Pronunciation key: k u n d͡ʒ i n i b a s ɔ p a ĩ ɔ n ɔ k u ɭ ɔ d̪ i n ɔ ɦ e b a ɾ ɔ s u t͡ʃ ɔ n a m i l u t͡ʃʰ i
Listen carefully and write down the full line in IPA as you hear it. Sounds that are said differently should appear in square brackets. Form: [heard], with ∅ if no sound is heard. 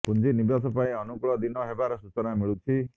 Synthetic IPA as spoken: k u n d͡ʒ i n i b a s ɔ p a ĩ ɔ n [u] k u ɭ ɔ d̪ i n ɔ ɦ e b a ɾ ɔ s u t͡ʃ ɔ n a m i [ɭ] u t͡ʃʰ i